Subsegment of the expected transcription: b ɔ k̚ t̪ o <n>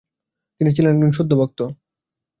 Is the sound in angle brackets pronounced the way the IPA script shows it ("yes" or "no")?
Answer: no